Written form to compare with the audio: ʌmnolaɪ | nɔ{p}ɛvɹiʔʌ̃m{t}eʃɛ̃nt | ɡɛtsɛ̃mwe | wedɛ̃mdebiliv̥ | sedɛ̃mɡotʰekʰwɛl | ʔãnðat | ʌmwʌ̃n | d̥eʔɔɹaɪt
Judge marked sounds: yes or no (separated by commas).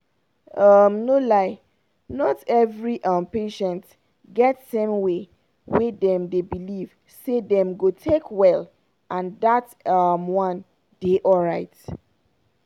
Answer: no, no